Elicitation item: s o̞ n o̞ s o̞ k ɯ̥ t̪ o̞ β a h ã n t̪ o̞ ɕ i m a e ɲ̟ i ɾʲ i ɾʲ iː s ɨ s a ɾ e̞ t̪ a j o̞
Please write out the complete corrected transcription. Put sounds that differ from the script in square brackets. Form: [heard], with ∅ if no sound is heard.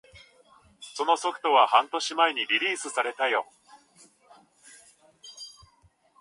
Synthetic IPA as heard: s o̞ n o̞ s o̞ k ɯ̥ t̪ o̞ β a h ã n t̪ o̞ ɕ i m a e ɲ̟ i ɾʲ i ɾʲ iː s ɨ s a ɾ e̞ t̪ a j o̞